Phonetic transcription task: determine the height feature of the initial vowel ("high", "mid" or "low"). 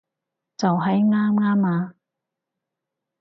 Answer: low